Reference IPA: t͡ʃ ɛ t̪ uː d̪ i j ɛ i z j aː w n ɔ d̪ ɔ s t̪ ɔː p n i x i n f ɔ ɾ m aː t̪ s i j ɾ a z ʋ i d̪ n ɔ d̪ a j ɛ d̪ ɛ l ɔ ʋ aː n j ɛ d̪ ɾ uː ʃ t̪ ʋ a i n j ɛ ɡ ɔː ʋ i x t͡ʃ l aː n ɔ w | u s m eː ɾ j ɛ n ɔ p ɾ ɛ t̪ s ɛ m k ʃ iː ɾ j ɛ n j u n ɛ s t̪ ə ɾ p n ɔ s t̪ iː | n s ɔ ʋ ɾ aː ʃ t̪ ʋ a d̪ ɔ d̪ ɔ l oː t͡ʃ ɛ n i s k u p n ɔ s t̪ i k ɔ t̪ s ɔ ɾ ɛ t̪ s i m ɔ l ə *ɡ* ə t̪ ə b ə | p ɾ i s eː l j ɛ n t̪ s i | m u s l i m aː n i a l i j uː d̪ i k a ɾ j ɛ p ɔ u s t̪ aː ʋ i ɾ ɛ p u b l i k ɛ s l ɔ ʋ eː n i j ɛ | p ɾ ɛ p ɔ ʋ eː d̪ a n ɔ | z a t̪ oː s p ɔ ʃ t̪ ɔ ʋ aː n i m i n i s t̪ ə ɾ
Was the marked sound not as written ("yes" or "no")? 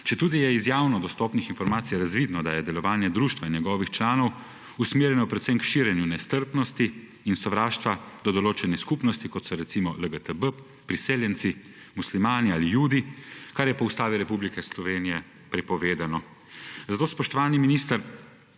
no